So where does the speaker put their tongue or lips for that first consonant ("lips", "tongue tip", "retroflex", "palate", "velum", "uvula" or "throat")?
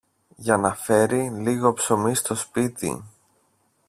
palate